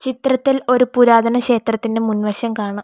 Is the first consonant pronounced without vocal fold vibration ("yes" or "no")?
yes